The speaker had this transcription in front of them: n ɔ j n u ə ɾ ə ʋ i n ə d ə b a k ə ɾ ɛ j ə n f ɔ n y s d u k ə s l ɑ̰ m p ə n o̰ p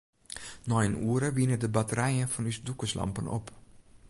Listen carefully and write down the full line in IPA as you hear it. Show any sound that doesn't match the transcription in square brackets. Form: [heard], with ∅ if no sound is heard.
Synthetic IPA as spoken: n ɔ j n u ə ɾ ə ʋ i n ə d ə b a [t] ə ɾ ɛ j ə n f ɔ n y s d u k ə s l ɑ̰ m p ə n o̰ p